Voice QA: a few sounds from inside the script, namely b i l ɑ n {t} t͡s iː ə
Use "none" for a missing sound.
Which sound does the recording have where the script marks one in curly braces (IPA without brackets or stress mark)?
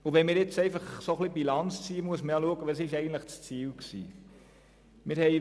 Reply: t͡s